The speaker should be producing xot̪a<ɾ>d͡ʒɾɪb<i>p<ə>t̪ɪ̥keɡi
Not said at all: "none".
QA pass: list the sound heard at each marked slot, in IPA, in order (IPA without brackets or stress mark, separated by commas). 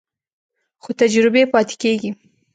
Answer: none, e, ɑ